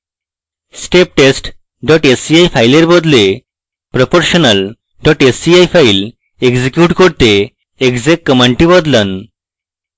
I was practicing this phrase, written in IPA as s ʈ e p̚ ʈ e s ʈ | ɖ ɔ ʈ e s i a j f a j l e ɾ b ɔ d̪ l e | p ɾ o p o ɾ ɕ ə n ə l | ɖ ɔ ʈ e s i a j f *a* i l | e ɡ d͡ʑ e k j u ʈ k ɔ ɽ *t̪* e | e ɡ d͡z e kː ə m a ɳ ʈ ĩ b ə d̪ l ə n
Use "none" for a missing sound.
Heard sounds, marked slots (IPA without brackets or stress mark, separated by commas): a, t̪